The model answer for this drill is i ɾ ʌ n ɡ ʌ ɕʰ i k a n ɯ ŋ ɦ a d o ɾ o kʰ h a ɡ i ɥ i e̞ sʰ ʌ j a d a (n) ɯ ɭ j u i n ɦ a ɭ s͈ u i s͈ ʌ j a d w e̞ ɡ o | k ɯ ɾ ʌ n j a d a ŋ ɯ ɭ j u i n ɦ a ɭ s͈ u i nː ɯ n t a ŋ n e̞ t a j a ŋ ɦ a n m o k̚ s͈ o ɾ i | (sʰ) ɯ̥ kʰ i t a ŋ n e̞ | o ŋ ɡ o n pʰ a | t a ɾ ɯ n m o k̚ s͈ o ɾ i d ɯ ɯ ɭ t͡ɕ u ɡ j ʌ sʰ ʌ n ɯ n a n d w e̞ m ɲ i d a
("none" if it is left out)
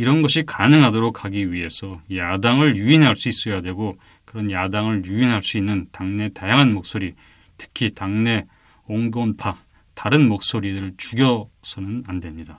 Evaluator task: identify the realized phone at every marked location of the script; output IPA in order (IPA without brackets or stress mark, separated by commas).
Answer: ŋ, tʰ